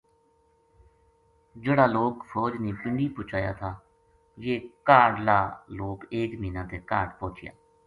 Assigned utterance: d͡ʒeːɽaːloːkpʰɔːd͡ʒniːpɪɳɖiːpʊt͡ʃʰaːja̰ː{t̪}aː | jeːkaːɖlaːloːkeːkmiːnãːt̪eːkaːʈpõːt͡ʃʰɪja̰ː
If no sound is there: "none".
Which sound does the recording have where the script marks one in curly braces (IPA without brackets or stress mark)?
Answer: t̪ʰ